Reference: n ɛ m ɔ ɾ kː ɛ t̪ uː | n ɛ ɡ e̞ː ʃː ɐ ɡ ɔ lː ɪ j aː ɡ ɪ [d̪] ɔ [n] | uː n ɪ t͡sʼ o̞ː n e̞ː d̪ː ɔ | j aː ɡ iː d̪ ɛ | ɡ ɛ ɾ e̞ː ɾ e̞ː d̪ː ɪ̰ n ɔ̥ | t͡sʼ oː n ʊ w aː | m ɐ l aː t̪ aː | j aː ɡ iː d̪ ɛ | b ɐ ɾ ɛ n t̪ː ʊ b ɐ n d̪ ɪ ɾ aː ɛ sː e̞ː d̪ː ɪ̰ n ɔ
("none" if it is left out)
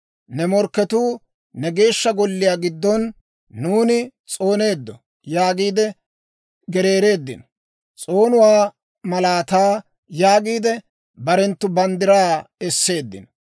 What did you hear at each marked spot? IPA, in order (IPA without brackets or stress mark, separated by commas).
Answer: d̪ː, nː